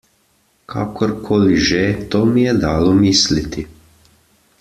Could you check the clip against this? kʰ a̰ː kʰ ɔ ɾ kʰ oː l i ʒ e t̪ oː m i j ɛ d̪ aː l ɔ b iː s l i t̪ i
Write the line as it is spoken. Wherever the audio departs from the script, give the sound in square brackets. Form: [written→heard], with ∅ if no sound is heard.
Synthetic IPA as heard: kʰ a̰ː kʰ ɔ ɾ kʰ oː l i ʒ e t̪ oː m i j ɛ d̪ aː l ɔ [b→m] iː s l i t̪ i